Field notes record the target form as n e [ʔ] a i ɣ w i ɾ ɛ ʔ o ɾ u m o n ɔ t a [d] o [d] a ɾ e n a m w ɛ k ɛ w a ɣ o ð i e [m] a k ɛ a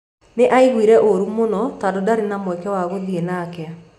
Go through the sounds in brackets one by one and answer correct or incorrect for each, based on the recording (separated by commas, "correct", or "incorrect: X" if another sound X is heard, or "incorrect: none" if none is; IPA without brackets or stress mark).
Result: correct, correct, correct, incorrect: n